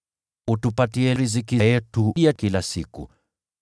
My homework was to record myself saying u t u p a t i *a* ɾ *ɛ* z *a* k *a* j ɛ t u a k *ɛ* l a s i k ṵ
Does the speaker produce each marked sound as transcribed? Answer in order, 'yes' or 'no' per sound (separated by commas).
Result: no, no, no, no, no